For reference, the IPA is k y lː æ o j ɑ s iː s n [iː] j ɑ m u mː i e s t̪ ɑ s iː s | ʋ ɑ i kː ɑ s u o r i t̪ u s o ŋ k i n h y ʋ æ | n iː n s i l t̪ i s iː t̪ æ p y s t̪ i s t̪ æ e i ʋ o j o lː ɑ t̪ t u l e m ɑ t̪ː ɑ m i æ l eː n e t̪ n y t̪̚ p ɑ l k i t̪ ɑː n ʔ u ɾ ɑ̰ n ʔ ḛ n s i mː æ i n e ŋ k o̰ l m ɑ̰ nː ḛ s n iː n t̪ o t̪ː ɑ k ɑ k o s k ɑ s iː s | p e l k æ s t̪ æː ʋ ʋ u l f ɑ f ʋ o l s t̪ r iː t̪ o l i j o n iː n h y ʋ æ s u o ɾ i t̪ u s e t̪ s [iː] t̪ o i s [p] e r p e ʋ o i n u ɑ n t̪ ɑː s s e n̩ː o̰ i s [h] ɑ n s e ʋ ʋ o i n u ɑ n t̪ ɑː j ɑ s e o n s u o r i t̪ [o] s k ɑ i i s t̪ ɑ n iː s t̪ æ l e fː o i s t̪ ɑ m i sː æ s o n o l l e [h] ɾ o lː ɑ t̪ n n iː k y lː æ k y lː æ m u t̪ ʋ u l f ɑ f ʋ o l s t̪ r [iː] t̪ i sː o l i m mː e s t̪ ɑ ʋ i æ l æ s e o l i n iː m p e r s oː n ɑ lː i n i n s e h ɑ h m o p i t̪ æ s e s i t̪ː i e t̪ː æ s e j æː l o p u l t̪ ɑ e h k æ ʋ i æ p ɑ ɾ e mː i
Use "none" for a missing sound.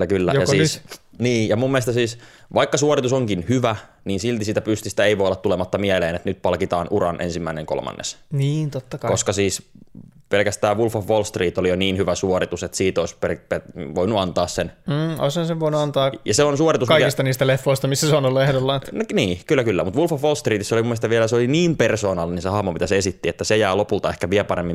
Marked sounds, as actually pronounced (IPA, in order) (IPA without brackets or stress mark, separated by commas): iː, iː, p, h, u, h, iː